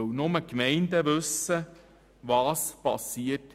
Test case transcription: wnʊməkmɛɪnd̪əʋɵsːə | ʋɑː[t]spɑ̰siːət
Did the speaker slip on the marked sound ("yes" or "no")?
yes